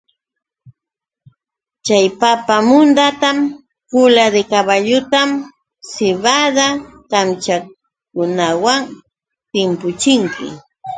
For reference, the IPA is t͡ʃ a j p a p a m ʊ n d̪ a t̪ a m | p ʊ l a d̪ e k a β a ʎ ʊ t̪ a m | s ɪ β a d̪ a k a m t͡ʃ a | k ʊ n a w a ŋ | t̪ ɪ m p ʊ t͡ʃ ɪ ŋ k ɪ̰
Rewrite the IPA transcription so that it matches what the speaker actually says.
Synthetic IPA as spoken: t͡ʃ a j p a p a m ʊ n d̪ a t̪ a m | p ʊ l a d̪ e k a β a ʎ ʊ t̪ a m | s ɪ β a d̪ a k a m t͡ʃ a | k ʊ n a w a ŋ | t̪ ɪ m p ʊ t͡ʃ ɪ ŋ k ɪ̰